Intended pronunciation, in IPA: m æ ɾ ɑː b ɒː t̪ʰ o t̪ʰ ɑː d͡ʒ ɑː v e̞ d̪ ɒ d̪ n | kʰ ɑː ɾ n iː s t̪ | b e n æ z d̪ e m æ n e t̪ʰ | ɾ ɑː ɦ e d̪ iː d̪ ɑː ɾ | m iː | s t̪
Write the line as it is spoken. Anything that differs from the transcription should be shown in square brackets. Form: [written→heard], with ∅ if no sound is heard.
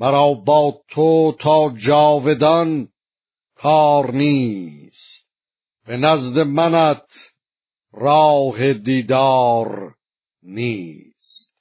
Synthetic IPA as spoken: m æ ɾ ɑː b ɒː t̪ʰ o t̪ʰ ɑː d͡ʒ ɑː v e̞ d̪ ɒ [d̪→∅] n | kʰ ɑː ɾ n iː s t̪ | b e n æ z d̪ e m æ n [e→æ] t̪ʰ | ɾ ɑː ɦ e d̪ iː d̪ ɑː ɾ | [m→n] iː | s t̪